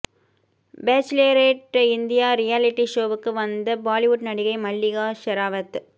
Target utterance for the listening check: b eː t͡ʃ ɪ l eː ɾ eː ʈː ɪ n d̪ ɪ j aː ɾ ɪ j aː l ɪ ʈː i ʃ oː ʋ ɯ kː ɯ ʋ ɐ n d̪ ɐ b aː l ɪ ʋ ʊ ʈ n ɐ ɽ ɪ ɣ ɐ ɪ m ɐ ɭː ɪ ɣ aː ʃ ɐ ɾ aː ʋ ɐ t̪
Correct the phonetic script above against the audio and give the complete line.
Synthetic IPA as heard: b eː t͡ʃ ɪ l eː ɾ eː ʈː ɪ n d̪ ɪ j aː ɾ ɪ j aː l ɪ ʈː i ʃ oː ʋ ɯ kː ɯ ʋ ɐ n d̪ ɐ b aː l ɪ ʋ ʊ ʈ n ɐ ɽ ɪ ɣ ɐ ɪ m ɐ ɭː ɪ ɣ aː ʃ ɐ ɾ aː ʋ ɐ t̪

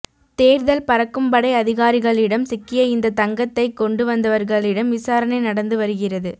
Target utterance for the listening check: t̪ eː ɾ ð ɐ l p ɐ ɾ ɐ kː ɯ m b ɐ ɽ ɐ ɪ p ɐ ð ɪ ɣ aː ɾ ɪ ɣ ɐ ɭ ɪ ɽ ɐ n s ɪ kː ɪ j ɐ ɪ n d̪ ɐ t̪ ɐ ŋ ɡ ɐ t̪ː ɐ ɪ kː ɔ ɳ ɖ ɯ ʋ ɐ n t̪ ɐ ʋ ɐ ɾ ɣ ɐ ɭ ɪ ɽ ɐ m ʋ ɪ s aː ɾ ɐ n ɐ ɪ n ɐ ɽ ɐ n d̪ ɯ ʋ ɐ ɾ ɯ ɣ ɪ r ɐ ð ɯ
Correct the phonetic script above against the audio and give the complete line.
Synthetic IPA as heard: t̪ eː ɾ ð ɐ l p ɐ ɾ ɐ kː ɯ m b ɐ ɽ ɐ ɪ ɐ ð ɪ ɣ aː ɾ ɪ ɣ ɐ ɭ ɪ ɽ ɐ m s ɪ kː ɪ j ɐ ɪ n d̪ ɐ t̪ ɐ ŋ ɡ ɐ t̪ː ɐ ɪ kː ɔ ɳ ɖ ɯ ʋ ɐ n d̪ ɐ ʋ ɐ ɾ ɣ ɐ ɭ ɪ ɽ ɐ m ʋ ɪ s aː ɾ ɐ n ɐ ɪ n ɐ ɽ ɐ n d̪ ɯ ʋ ɐ ɾ ɯ ɣ ɪ r ɐ ð ɯ

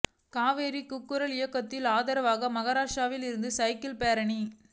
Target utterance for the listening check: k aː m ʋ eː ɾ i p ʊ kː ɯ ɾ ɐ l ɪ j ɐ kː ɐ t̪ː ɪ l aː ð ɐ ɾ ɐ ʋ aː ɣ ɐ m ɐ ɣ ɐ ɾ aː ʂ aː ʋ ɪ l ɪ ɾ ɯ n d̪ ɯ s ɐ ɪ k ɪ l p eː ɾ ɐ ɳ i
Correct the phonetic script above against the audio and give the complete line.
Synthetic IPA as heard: k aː ʋ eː ɾ i k ʊ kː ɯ ɾ ɐ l ɪ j ɐ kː ɐ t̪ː ɪ l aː ð ɐ ɾ ɐ ʋ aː ɣ ɐ m ɐ ɣ ɐ ɾ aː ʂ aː ʋ ɪ l ɪ ɾ ɯ n d̪ ɯ s ɐ ɪ k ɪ l p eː ɾ ɐ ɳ i

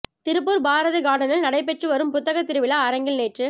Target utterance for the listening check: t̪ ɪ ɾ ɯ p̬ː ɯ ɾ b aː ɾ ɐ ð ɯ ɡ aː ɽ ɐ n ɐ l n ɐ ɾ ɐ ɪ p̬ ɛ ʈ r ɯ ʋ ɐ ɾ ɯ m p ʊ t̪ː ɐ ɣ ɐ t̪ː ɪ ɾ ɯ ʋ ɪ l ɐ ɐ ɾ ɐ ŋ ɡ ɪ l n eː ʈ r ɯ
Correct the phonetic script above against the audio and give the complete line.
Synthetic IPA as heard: t̪ ɪ ɾ ɯ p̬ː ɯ ɾ b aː ɾ ɐ ð ɯ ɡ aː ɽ ɐ n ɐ l n ɐ ɽ ɐ ɪ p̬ ɛ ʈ r ɯ ʋ ɐ ɾ ɯ m p ʊ t̪ː ɐ ɣ ɐ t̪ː ɪ ɾ ɯ ʋ ɪ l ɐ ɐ ɾ ɐ ŋ ɡ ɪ l n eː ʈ r ɯ

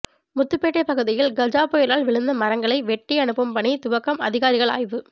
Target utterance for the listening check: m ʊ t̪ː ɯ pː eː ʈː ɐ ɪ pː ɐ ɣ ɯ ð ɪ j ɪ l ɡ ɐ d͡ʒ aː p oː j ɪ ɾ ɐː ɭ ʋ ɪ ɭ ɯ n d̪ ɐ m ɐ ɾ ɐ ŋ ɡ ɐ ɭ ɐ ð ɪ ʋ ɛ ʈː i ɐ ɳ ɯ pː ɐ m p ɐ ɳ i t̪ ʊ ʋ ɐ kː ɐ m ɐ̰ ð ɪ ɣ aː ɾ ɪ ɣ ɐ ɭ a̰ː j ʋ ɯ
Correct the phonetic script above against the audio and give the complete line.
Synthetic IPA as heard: m ʊ t̪ː ɯ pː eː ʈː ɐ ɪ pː ɐ ɣ ɯ ð ɪ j ɪ l ɡ ɐ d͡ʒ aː p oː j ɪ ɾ aː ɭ ʋ ɪ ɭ ɯ n d̪ ɐ m ɐ ɾ ɐ ŋ ɡ ɐ ɭ ɐ ɪ ʋ ɛ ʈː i ɐ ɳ ɯ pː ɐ m p ɐ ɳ i t̪ ʊ ʋ ɐ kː ɐ m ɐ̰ ð ɪ ɣ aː ɾ ɪ ɣ ɐ ɭ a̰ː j ʋ ɯ

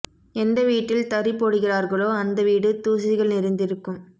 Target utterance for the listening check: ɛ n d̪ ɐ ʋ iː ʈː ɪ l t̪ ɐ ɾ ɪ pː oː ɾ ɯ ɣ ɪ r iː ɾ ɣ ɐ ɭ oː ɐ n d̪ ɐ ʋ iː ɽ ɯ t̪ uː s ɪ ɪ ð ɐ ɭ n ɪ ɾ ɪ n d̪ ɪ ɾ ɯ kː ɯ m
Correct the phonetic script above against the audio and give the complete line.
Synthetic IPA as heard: ɛ n d̪ ɐ ʋ iː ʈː ɪ l t̪ ɐ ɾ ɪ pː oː ɽ ɯ ɣ ɪ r aː ɾ ɣ ɐ ɭ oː ɐ n d̪ ɐ ʋ iː ɽ ɯ t̪ uː s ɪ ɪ ɣ ɐ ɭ n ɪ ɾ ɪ n d̪ ɪ ɾ ɯ kː ɯ m

